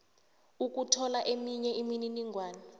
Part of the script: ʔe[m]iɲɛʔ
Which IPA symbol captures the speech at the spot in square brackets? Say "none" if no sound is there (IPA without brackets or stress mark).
m